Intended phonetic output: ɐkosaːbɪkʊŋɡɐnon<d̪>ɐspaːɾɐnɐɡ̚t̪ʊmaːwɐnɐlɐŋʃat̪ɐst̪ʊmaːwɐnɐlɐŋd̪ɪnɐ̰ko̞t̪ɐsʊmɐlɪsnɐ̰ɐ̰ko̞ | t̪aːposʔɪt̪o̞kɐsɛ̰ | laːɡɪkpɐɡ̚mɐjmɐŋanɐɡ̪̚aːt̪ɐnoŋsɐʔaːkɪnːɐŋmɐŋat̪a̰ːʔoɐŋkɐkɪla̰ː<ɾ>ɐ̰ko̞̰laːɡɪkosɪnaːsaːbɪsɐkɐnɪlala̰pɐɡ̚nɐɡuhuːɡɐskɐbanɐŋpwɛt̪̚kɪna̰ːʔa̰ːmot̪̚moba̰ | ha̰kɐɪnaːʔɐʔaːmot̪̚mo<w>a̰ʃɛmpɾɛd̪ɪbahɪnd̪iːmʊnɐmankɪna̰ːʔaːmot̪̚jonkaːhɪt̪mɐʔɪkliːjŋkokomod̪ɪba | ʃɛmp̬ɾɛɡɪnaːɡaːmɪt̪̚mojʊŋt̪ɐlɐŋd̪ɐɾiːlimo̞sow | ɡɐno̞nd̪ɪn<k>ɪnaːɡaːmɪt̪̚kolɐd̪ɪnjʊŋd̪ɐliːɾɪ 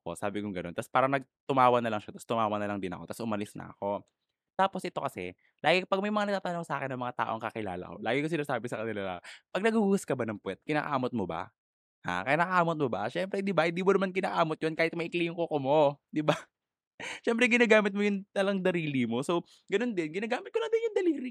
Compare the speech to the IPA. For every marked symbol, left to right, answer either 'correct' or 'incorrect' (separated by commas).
incorrect, incorrect, incorrect, incorrect